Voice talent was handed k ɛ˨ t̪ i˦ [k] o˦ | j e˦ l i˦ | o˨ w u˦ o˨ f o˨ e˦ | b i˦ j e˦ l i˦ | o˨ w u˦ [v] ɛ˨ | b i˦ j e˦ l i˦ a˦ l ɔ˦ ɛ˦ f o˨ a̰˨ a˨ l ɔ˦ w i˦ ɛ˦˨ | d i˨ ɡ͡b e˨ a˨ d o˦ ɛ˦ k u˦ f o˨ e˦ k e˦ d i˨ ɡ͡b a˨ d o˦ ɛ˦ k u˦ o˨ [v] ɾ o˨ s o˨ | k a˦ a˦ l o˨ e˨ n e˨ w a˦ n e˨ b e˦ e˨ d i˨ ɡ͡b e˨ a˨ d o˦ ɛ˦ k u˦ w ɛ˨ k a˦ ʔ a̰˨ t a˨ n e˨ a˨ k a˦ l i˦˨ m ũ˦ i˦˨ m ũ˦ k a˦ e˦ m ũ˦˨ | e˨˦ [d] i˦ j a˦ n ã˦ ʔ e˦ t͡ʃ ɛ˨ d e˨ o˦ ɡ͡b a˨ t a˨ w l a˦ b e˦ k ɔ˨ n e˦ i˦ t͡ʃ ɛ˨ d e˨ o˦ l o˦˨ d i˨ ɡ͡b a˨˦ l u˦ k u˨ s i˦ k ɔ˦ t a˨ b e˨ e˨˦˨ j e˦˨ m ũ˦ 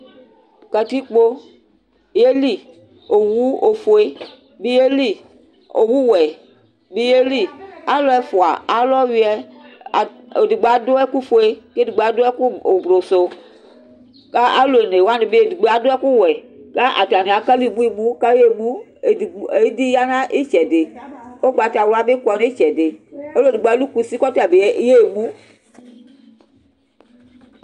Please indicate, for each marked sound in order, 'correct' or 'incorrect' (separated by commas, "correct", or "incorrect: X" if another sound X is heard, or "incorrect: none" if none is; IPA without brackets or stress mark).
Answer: incorrect: k͡p, incorrect: w, incorrect: b, correct